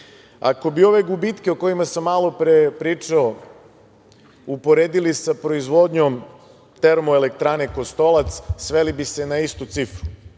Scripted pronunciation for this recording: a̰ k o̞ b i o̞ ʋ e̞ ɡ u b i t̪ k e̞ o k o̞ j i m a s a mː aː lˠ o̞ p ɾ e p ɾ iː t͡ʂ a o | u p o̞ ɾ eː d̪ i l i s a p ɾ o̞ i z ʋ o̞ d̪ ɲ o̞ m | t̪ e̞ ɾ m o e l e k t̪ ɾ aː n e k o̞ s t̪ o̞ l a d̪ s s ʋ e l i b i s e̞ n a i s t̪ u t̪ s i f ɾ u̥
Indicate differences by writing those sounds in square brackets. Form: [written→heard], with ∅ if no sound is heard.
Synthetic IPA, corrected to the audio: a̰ k o̞ b i o̞ ʋ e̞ ɡ u b i t̪ k e̞ o k o̞ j i m a s a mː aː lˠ o̞ p ɾ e p ɾ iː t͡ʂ a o | u p o̞ ɾ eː d̪ i l i s a p ɾ o̞ i z ʋ o̞ d̪ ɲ o̞ m | t̪ e̞ ɾ m o e l e k t̪ ɾ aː n e k o̞ s t̪ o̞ l a [d̪→t̪] s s ʋ e l i b i s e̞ n a i s t̪ u t̪ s i f ɾ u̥